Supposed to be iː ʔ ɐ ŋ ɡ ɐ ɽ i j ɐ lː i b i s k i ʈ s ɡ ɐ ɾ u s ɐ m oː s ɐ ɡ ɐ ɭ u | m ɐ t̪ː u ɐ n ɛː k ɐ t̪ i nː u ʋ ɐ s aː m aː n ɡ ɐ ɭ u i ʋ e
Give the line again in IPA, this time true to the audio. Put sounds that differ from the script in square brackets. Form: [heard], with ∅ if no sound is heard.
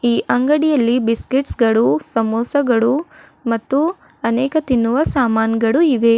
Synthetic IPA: iː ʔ ɐ ŋ ɡ ɐ ɽ i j ɐ lː i b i s k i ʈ s ɡ ɐ [ɭ] u s ɐ m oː s ɐ ɡ ɐ ɭ u | m ɐ t̪ː u ɐ n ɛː k ɐ t̪ i nː u ʋ ɐ s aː m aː n ɡ ɐ ɭ u i ʋ e

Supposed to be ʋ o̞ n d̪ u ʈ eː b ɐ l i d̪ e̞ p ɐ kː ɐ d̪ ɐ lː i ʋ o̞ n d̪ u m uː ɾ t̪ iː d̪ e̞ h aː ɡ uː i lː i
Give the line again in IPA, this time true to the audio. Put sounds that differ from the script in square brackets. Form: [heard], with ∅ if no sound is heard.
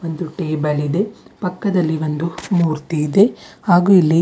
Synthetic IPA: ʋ o̞ n d̪ u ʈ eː b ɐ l i d̪ e̞ p ɐ kː ɐ d̪ ɐ lː i ʋ o̞ n d̪ u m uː ɾ t̪ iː d̪ e̞ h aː ɡ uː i lː i

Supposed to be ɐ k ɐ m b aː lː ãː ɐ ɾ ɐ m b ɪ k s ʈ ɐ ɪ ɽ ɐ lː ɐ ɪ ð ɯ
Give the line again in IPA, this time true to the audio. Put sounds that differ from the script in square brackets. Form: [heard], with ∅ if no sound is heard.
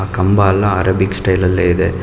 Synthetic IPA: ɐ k ɐ m b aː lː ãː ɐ ɾ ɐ [∅] b ɪ k s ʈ ɐ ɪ [l] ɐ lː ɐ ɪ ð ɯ

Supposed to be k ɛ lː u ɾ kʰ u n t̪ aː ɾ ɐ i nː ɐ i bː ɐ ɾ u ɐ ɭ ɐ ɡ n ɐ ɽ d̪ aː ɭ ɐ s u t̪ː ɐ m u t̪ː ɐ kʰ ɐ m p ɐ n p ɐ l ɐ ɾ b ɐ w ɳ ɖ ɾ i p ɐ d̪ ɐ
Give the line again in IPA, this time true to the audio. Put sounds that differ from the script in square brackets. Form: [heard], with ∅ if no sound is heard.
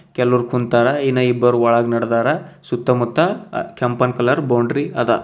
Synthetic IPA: k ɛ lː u ɾ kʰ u n t̪ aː ɾ ɐ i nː ɐ i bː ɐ ɾ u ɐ ɭ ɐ ɡ n ɐ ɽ d̪ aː [ɾ] ɐ s u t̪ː ɐ m u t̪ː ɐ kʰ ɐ m p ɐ n [k] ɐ l ɐ ɾ b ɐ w ɳ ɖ ɾ i [∅] ɐ d̪ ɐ

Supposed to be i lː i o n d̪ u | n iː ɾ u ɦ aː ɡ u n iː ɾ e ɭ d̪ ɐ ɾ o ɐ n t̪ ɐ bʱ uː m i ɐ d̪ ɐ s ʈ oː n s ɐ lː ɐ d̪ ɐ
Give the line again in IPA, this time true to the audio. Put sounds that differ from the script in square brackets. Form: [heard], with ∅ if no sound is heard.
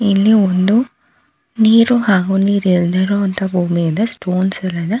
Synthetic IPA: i lː i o n d̪ u | n iː ɾ u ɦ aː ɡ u n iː ɾ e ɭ d̪ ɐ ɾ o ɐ n t̪ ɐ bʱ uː m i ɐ d̪ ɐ s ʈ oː n s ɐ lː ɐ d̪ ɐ

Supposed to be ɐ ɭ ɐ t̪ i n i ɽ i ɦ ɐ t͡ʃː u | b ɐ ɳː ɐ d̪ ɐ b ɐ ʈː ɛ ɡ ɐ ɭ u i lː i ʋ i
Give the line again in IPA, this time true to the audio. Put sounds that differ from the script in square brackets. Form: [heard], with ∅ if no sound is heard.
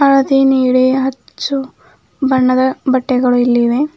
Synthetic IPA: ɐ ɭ ɐ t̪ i n [iː] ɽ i ɦ ɐ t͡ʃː u | b ɐ ɳː ɐ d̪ ɐ b ɐ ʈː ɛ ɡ ɐ ɭ u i lː i ʋ [e]

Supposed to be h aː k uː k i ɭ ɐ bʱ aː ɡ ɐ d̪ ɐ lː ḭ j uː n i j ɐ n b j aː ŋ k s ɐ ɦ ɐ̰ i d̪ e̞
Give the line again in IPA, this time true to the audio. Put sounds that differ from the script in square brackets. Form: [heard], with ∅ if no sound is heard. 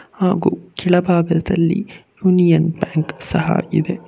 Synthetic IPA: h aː [ɡ] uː k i ɭ ɐ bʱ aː ɡ ɐ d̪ ɐ lː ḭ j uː n i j ɐ n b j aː ŋ k s ɐ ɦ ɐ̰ i d̪ e̞

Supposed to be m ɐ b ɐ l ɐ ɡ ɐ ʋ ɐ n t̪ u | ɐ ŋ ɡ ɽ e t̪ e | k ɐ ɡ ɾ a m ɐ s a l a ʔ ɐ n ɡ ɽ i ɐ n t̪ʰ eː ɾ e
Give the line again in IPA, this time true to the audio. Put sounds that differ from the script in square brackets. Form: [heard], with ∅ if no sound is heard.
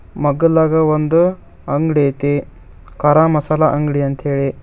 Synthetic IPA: m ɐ [ɡ] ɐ l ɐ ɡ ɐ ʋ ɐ n [d̪] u | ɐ ŋ ɡ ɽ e t̪ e | k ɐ [∅] ɾ a m ɐ s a l a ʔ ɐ [ŋ] ɡ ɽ i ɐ n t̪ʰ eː [ɭ] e

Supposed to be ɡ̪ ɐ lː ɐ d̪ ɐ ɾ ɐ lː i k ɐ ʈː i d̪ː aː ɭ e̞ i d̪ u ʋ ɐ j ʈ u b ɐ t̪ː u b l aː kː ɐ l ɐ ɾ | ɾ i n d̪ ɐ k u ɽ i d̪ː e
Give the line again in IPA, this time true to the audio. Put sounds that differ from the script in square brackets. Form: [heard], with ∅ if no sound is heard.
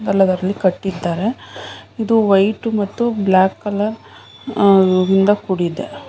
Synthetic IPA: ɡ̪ ɐ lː ɐ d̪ ɐ ɾ ɐ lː i k ɐ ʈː i d̪ː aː [ɾ] e̞ i d̪ u ʋ ɐ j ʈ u [m] ɐ t̪ː u b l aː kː ɐ l ɐ ɾ | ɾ i n d̪ ɐ k u ɽ i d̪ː e

